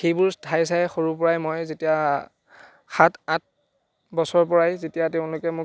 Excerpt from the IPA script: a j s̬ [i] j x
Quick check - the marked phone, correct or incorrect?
incorrect